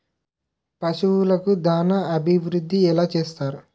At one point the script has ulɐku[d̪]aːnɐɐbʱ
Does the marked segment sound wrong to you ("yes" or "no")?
no